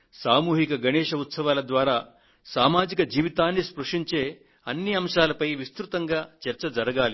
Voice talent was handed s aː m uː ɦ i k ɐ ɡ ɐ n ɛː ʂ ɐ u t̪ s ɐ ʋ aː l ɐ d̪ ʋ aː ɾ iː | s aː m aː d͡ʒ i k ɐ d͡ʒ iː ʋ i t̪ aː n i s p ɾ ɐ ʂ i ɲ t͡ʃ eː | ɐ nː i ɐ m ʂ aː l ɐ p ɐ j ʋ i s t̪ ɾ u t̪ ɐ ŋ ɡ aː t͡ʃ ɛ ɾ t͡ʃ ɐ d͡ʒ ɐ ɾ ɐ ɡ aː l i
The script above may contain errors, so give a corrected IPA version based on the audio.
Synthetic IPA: s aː m uː ɦ i k ɐ ɡ ɐ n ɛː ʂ ɐ u t̪ s ɐ ʋ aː l ɐ d̪ ʋ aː ɾ aː | s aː m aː d͡ʒ i k ɐ d͡ʒ iː ʋ i t̪ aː nː i s p ɾ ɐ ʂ i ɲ t͡ʃ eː | ɐ nː i ɐ m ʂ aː l ɐ p ɐ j ʋ i s t̪ ɾ u t̪ ɐ ŋ ɡ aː t͡ʃ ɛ ɾ t͡ʃ ɐ d͡ʒ ɐ ɾ ɐ ɡ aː l i

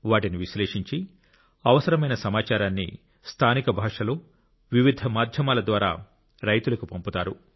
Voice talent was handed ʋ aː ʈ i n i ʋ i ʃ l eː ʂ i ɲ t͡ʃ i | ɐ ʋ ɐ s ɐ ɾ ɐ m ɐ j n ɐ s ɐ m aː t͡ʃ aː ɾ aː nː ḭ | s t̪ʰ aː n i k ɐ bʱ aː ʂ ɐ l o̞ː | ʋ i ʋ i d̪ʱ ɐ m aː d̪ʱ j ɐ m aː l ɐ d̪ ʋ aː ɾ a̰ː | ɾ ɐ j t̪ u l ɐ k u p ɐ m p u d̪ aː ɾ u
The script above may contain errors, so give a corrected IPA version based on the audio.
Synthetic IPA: ʋ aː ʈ i n i ʋ i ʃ l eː ʂ i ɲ t͡ʃ i | ɐ ʋ ɐ s ɐ ɾ ɐ m ɐ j n ɐ s ɐ m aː t͡ʃ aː ɾ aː nː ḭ | s t̪ʰ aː n i k ɐ bʱ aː ʂ ɐ l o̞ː | ʋ i ʋ i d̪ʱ ɐ m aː d̪ʱ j ɐ m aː l ɐ d̪ ʋ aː ɾ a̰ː | ɾ ɐ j t̪ u l ɐ k u p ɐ m p u t̪ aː ɾ u

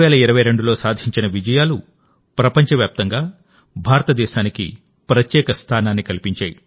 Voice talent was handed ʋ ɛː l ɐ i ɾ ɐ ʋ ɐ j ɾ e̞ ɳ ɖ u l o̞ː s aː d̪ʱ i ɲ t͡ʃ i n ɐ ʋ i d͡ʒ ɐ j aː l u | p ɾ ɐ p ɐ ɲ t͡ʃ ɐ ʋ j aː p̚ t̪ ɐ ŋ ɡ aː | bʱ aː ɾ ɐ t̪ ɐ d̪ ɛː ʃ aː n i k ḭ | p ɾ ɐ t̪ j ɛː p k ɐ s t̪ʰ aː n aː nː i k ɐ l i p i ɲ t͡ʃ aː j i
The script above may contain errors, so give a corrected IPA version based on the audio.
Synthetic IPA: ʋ ɛː l ɐ i ɾ ɐ ʋ ɐ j ɾ e̞ ɳ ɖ u l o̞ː s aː d̪ʱ i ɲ t͡ʃ i n ɐ ʋ i d͡ʒ ɐ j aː l u | p ɾ ɐ p ɐ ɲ t͡ʃ ɐ ʋ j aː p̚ t̪ ɐ ŋ ɡ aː | bʱ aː ɾ ɐ t̪ ɐ d̪ ɛː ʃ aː n i k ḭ | p ɾ ɐ t̪ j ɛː k ɐ s t̪ʰ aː n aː nː i k ɐ l i p i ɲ t͡ʃ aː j i

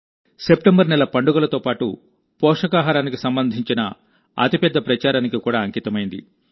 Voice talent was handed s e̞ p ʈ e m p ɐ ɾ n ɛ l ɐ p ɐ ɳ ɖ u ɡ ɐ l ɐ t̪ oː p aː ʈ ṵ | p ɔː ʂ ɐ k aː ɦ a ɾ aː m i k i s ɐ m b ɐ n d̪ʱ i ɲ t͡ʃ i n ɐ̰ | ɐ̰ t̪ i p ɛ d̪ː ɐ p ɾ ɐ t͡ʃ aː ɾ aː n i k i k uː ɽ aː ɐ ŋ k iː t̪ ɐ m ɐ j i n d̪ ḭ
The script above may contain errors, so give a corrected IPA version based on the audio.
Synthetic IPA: s e̞ p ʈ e m b ɐ ɾ n ɛ l ɐ p ɐ ɳ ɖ u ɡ ɐ l ɐ t̪ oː p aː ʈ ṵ | p ɔː ʂ ɐ k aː ɦ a ɾ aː n i k i s ɐ m b ɐ n d̪ʱ i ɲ t͡ʃ i n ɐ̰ | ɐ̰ t̪ i p ɛ d̪ː ɐ p ɾ ɐ t͡ʃ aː ɾ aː n i k i k uː ɽ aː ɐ ŋ k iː t̪ ɐ m ɐ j i n d̪ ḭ

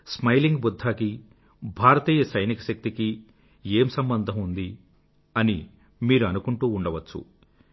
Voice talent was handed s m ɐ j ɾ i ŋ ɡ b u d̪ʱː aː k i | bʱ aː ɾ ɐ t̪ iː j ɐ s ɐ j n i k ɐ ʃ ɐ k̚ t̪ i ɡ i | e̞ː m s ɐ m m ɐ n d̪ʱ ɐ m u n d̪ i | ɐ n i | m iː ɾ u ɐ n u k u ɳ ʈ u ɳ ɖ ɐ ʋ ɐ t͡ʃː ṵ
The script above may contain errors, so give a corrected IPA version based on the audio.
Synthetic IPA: s m ɐ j l i ŋ ɡ b u d̪ʱː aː k i | bʱ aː ɾ ɐ t̪ iː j ɐ s ɐ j n i k ɐ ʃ ɐ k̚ t̪ i k i | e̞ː m s ɐ m b ɐ n d̪ʱ ɐ m u n d̪ i | ɐ n i | m iː ɾ u ɐ n u k u ɳ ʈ uː ɳ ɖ ɐ ʋ ɐ t͡ʃː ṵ

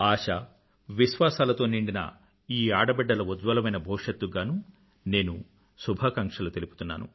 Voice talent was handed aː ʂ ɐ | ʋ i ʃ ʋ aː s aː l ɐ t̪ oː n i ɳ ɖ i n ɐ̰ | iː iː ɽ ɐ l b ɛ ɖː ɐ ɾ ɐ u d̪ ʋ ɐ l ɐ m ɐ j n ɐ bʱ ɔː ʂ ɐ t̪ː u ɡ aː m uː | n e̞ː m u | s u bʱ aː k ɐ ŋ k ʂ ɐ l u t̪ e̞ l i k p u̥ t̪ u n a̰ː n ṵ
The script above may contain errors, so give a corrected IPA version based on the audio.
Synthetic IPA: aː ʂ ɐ | ʋ i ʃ ʋ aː s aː l ɐ t̪ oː n i ɳ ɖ i n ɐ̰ | iː aː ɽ ɐ b ɛ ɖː ɐ l ɐ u d̪ ʋ ɐ l ɐ m ɐ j n ɐ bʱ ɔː ʂ ɐ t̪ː u ɡ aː n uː | n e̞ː n u | s u bʱ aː k ɐ ŋ k ʂ ɐ l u t̪ e̞ l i p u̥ t̪ u nː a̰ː n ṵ

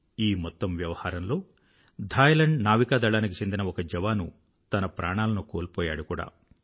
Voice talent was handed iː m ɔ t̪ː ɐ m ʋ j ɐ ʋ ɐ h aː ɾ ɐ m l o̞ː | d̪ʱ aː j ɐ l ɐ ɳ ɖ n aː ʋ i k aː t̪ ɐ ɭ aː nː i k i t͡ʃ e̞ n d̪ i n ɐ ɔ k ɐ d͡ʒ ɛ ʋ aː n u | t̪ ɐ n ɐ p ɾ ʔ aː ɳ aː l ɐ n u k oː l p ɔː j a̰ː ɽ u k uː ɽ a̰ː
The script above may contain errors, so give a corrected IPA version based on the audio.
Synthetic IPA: iː m ɔ t̪ː ɐ m ʋ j ɐ ʋ ɐ h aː ɾ ɐ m l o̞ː | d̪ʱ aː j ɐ l ɐ ɳ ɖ n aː ʋ i k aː d̪ ɐ ɭ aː n i k i t͡ʃ e̞ n d̪ i n ɐ ɔ k ɐ d͡ʒ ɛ ʋ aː n u | t̪ ɐ n ɐ p ɾ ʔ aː ɳ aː l ɐ n u k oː l p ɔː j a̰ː ɽ u k uː ɽ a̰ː

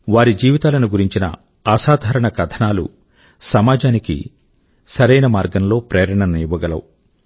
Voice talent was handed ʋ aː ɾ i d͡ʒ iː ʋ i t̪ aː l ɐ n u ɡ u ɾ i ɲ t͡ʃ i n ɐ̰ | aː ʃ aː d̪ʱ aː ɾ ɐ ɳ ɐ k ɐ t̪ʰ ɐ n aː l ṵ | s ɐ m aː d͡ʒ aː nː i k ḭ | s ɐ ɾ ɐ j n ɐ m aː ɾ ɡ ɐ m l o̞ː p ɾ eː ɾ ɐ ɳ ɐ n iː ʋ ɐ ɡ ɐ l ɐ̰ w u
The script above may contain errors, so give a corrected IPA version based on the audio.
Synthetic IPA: ʋ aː ɾ i d͡ʒ iː ʋ i t̪ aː l ɐ n u ɡ u ɾ i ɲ t͡ʃ i n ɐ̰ | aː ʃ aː d̪ʱ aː ɾ ɐ ɳ ɐ k ɐ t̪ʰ ɐ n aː l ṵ | s ɐ m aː d͡ʒ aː n i k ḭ | s ɐ ɾ ɐ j n ɐ m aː ɾ ɡ ɐ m l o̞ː p ɾ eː ɾ ɐ ɳ ɐ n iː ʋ ɐ ɡ ɐ l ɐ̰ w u

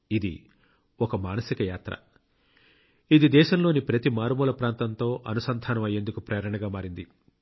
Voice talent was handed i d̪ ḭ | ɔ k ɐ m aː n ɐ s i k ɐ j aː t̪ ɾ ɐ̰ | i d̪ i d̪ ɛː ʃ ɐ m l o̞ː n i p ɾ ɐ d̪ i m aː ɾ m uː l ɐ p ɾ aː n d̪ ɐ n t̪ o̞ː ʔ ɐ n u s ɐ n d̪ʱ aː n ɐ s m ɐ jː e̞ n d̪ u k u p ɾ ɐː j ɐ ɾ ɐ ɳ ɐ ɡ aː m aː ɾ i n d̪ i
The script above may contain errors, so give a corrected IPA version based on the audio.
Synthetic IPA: i d̪ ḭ | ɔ k ɐ m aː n ɐ s i k ɐ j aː t̪ ɾ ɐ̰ | i d̪ i d̪ ɛː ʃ ɐ m l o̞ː n i p ɾ ɐ t̪ i m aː ɾ m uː l ɐ p ɾ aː n t̪ ɐ n t̪ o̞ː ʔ ɐ n u s ɐ n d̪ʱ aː n ɐ m ɐ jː e̞ n d̪ u k u p ɾ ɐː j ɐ ɾ ɐ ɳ ɐ ɡ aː m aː ɾ i n d̪ i

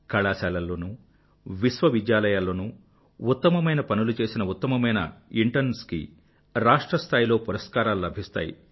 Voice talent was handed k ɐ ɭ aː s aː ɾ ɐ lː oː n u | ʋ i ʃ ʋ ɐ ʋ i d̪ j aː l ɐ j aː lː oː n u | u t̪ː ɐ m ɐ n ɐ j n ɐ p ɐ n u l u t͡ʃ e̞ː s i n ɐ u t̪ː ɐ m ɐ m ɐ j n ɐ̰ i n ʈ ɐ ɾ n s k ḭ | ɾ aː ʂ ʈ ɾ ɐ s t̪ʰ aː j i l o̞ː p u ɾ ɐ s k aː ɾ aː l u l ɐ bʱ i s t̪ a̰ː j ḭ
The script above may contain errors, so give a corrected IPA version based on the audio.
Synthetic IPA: k ɐ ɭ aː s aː l ɐ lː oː n u | ʋ i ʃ ʋ ɐ ʋ i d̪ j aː l ɐ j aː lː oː n u | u t̪ː ɐ m ɐ m ɐ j n ɐ p ɐ n u l u t͡ʃ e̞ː s i n ɐ u t̪ː ɐ m ɐ m ɐ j n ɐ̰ i ɳ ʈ ɐ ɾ n s k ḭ | ɾ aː ʂ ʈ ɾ ɐ s t̪ʰ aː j i l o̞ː p u ɾ ɐ s k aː ɾ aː l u l ɐ bʱ i s t̪ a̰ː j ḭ

